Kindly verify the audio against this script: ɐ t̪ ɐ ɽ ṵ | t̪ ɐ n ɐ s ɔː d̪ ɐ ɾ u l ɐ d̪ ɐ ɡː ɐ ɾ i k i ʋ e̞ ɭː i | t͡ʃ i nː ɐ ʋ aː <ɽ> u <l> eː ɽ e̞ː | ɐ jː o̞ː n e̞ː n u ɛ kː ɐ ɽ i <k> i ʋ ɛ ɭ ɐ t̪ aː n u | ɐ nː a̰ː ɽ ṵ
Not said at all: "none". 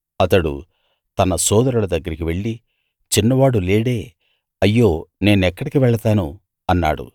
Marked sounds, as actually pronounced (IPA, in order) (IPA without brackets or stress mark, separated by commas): ɽ, l, k